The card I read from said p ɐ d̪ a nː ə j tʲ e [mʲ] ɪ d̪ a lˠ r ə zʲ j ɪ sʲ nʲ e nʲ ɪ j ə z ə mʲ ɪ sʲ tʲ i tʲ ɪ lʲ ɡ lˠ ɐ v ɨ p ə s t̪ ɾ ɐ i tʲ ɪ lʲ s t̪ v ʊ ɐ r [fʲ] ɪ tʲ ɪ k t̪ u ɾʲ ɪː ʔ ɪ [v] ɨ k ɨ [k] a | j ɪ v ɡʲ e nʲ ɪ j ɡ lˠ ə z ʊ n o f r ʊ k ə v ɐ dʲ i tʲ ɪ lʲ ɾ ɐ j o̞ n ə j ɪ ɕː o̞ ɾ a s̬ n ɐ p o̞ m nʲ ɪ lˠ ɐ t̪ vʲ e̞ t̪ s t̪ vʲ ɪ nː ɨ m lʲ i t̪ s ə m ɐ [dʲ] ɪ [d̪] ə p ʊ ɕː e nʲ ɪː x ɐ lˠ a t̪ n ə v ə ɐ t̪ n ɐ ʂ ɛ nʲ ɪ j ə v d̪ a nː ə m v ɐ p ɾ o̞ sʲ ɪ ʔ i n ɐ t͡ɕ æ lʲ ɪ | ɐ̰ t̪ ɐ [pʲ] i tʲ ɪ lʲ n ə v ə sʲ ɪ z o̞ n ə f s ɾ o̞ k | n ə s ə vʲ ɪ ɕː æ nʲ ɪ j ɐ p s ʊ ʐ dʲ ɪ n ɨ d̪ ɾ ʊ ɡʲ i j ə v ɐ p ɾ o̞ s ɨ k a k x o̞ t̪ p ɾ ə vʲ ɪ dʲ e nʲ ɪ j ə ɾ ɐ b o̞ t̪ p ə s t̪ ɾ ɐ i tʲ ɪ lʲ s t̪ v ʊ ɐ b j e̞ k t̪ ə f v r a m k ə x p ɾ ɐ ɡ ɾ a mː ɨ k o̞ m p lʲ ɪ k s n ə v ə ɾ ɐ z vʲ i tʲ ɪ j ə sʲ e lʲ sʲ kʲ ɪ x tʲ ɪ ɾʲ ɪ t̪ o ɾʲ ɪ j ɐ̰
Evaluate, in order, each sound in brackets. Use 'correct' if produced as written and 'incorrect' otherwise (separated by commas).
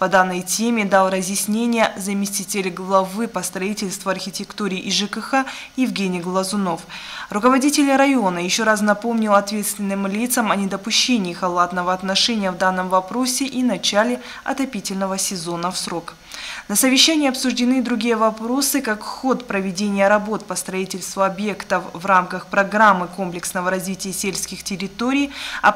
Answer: correct, incorrect, incorrect, incorrect, incorrect, correct, correct